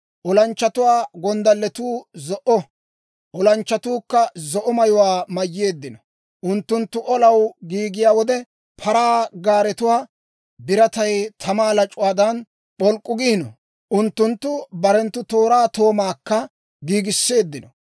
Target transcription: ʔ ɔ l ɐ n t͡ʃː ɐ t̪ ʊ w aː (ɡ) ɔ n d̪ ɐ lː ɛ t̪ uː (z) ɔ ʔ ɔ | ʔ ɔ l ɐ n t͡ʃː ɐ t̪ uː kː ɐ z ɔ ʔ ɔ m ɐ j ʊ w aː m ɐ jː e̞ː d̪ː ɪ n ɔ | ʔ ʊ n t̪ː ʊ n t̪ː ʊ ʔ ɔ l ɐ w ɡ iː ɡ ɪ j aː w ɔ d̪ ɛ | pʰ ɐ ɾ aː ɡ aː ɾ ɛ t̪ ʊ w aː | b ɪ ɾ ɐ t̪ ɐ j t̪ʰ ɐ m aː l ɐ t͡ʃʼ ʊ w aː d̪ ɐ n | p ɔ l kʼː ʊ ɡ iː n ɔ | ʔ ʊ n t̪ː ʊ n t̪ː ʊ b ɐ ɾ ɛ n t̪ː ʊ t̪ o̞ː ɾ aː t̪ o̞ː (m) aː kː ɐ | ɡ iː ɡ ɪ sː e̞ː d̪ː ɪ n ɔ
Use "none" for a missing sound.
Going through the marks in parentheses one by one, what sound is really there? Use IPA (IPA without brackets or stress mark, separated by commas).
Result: ɡ, z, m